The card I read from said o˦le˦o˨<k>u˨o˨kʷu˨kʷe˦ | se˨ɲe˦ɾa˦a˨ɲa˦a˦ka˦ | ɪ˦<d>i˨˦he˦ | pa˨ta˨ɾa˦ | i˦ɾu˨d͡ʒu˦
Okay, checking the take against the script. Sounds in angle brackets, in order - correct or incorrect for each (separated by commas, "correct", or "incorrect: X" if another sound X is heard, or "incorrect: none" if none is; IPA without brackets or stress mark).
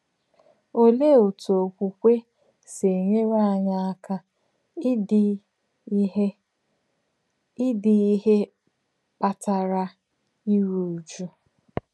incorrect: t, correct